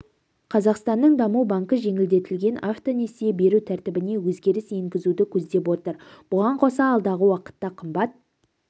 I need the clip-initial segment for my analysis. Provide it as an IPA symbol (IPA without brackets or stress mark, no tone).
qʰ